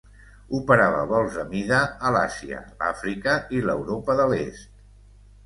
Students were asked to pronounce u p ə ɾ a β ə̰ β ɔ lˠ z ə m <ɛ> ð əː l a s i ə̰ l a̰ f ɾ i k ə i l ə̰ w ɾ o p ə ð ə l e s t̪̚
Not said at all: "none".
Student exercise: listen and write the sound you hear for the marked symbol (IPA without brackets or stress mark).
i